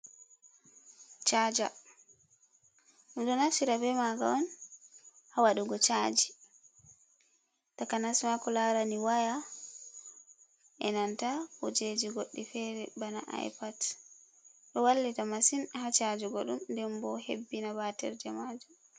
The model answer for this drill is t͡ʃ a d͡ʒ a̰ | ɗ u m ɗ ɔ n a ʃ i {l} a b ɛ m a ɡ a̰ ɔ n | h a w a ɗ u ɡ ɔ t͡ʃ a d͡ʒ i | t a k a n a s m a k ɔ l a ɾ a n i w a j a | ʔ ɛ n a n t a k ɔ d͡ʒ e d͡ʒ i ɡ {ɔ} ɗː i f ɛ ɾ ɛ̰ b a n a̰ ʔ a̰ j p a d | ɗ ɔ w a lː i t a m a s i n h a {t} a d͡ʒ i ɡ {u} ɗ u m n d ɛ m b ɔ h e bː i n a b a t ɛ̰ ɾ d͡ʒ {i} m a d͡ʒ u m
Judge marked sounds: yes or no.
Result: no, no, no, no, no

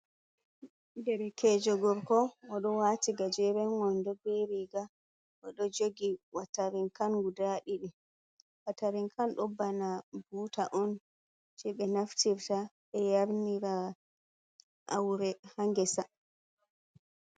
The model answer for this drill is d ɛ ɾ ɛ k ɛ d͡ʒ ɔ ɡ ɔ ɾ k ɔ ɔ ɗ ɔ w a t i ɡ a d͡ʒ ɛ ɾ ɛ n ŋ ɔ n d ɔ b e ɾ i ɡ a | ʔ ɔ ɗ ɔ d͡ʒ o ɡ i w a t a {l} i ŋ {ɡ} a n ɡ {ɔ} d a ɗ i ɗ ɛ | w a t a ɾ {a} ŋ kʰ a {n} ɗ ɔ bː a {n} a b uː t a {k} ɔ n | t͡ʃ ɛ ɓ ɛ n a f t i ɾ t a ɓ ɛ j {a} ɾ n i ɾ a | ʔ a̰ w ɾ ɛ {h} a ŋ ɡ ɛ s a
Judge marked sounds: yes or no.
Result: no, no, no, no, yes, yes, no, yes, yes

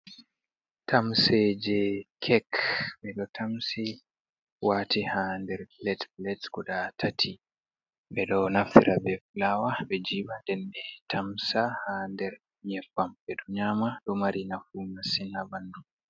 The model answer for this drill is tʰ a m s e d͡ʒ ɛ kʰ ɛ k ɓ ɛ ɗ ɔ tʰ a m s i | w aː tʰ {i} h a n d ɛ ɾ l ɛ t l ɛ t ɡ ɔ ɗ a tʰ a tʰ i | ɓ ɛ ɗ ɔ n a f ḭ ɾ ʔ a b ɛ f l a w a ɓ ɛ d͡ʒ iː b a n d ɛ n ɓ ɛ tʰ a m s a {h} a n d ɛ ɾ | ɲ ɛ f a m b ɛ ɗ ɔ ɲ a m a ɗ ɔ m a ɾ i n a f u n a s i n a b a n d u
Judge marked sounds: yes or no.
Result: yes, yes

